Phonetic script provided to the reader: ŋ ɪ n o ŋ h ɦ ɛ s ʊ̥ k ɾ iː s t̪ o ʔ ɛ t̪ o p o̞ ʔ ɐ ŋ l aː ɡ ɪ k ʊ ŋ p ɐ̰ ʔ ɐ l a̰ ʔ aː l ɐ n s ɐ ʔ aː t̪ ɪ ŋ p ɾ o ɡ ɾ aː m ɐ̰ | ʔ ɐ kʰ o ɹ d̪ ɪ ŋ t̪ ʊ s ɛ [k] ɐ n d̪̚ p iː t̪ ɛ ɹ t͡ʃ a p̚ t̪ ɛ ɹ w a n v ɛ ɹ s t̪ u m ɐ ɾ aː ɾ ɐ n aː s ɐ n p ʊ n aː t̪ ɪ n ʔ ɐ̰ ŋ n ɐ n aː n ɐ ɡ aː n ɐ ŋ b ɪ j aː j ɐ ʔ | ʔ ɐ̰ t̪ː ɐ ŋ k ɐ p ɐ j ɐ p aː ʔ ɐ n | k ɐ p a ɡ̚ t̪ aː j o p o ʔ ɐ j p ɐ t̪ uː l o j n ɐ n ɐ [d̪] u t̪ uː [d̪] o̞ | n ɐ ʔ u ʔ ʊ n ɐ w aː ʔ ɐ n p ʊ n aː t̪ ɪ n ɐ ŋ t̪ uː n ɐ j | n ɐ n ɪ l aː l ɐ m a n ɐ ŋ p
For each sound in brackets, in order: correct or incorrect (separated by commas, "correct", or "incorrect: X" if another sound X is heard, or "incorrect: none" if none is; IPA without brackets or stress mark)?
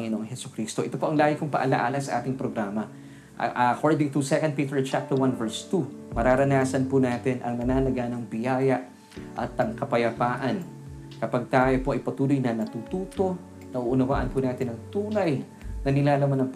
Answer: correct, incorrect: t̪, incorrect: t̪